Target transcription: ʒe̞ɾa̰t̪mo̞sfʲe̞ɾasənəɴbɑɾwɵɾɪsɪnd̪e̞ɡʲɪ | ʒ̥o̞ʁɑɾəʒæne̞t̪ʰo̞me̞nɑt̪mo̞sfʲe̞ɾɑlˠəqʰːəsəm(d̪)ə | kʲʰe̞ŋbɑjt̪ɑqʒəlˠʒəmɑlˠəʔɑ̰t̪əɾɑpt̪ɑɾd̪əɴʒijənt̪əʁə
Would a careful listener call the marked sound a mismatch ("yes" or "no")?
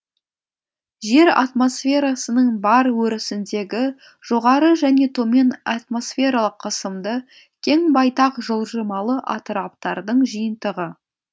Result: no